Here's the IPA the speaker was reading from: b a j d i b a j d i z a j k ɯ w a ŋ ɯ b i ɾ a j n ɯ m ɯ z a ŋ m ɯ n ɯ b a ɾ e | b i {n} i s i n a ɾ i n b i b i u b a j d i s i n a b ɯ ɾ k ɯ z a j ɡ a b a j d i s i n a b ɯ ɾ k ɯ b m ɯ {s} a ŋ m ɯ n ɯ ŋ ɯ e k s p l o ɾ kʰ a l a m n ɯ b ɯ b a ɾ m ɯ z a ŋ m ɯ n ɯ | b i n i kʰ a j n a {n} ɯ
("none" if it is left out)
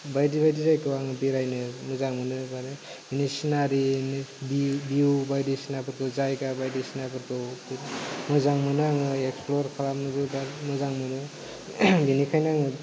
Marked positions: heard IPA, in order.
n, z, ŋ

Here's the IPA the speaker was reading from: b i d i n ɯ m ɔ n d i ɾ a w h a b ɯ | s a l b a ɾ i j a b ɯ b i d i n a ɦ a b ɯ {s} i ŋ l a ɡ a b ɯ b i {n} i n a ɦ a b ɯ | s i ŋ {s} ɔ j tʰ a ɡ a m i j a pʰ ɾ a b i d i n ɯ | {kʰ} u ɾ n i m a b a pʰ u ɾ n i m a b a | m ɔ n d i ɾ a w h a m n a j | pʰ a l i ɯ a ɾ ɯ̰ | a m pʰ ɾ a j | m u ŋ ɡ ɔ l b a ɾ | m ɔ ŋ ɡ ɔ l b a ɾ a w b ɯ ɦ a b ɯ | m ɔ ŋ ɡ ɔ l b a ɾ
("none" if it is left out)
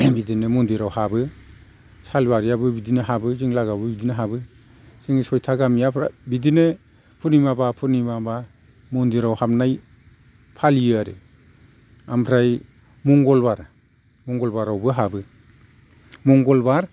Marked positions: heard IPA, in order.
z, d, s, pʰ

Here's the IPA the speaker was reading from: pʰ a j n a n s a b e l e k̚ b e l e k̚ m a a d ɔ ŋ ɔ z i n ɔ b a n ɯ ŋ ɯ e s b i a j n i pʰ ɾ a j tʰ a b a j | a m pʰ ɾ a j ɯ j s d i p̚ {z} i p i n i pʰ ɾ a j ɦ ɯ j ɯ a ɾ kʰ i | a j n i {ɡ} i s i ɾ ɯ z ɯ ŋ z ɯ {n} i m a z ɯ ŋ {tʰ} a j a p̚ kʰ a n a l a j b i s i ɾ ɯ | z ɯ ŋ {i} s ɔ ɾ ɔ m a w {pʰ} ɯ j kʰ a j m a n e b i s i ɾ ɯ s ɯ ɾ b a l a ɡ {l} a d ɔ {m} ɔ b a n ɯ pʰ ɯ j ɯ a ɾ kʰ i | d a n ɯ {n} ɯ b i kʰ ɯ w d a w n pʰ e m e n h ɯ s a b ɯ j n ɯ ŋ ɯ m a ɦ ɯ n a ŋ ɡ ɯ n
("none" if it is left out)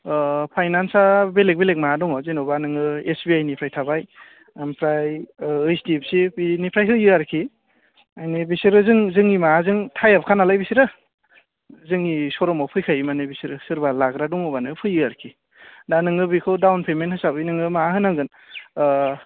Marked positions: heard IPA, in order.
s, b, ŋ, tʰ, i, pʰ, ɾ, ŋ, ŋ

